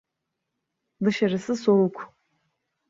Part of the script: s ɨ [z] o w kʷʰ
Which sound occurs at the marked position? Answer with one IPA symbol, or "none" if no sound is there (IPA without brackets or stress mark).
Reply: s